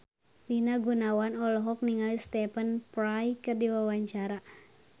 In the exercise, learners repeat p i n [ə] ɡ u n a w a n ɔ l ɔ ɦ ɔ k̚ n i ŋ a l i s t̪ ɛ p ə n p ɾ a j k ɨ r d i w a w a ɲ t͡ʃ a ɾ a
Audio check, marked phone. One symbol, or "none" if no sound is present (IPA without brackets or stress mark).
a